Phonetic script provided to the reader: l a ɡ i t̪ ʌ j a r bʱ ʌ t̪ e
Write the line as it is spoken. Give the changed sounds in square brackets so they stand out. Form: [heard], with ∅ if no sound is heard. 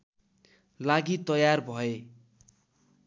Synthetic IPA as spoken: l a ɡ i t̪ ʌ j a r bʱ ʌ [∅] e